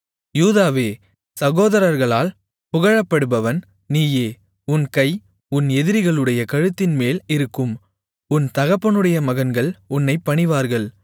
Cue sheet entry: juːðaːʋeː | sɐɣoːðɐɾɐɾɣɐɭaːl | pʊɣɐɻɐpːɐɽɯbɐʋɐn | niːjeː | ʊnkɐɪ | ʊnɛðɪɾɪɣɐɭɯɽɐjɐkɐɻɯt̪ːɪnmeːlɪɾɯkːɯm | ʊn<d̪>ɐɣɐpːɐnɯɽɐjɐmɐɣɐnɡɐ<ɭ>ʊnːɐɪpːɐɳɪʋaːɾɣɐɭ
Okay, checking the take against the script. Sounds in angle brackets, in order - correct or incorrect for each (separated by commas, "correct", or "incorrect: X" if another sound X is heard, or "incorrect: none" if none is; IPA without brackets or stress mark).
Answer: incorrect: t̪, correct